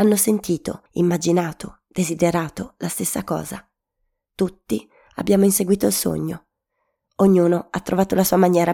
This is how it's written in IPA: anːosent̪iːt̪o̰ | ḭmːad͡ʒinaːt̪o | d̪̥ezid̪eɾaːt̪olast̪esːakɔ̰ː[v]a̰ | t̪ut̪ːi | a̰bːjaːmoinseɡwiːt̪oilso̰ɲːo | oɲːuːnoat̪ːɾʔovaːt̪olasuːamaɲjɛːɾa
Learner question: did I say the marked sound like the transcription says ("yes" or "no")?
no